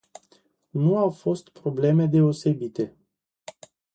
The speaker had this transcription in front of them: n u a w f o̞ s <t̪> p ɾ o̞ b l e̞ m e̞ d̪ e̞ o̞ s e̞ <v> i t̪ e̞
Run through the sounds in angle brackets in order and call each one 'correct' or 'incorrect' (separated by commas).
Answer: correct, incorrect